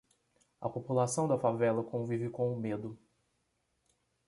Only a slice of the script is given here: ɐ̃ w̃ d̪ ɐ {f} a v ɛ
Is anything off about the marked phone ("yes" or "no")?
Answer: no